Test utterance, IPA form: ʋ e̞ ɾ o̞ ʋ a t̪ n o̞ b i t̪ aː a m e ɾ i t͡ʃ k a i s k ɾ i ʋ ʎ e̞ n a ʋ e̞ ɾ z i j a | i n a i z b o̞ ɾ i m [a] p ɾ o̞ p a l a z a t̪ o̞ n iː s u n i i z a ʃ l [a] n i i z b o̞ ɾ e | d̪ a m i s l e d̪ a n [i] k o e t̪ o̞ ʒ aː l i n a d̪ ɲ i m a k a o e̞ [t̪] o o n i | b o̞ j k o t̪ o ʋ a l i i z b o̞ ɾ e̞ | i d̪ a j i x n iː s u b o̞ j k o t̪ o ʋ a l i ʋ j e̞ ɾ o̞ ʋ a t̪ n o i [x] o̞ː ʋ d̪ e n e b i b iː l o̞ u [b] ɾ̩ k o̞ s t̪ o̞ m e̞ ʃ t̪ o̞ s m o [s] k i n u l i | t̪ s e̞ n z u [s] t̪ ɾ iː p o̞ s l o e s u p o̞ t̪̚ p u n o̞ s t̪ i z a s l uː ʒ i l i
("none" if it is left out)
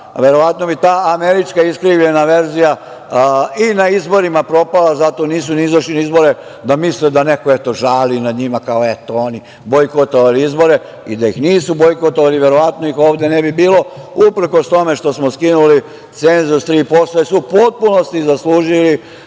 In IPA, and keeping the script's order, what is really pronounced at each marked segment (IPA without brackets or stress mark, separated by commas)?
a, i, e, t̪, x, p, s, s